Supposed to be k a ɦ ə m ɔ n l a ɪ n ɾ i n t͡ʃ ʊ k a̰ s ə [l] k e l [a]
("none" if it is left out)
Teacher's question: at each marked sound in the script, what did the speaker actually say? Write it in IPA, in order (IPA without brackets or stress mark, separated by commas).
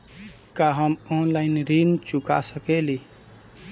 none, i